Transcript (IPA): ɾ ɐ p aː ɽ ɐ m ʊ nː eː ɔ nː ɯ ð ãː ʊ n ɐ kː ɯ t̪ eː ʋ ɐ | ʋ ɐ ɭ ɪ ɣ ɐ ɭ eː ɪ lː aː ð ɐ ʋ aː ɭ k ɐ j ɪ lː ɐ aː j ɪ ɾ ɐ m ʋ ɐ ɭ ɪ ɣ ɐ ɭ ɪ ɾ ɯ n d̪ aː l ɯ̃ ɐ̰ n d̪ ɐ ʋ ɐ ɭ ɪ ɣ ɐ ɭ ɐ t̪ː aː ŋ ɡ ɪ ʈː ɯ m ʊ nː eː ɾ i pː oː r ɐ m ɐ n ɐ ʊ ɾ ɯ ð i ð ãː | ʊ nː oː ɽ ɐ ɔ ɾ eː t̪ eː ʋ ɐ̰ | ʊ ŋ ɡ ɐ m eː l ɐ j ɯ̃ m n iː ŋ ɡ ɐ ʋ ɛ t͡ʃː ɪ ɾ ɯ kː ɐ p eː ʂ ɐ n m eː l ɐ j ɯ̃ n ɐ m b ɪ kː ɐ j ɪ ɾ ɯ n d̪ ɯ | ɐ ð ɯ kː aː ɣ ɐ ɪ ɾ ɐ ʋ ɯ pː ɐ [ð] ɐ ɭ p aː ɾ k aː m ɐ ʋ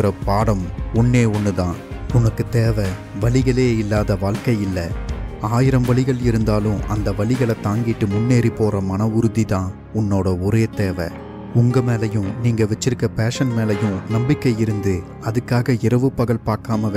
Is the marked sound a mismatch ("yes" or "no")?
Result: yes